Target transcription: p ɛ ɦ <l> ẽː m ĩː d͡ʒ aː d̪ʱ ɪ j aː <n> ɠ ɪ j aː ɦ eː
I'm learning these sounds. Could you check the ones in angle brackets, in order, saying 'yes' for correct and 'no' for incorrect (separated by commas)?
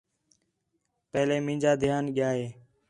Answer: yes, yes